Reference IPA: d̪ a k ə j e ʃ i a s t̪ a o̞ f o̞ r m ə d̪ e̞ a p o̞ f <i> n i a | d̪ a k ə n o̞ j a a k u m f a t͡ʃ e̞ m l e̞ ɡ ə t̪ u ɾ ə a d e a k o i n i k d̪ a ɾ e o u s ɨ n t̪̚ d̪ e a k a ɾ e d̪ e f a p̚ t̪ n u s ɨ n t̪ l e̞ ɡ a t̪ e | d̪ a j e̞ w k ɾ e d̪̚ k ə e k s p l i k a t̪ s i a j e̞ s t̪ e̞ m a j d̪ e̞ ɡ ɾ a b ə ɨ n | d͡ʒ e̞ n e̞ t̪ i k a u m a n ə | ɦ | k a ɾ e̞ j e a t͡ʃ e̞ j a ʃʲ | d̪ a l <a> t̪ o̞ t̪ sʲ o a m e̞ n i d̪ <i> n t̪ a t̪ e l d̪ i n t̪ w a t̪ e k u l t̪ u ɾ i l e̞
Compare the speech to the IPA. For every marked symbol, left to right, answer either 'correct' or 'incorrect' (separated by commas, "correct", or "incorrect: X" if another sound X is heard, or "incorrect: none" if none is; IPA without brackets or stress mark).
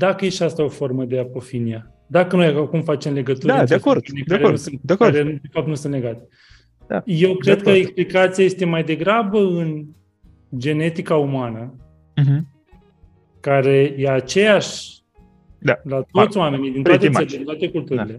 correct, correct, correct